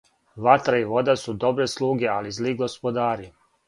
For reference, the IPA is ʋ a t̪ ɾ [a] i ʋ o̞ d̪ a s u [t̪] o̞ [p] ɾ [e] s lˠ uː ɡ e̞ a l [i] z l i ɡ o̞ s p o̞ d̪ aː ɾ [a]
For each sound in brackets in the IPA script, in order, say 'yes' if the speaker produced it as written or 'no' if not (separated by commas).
yes, no, no, yes, yes, no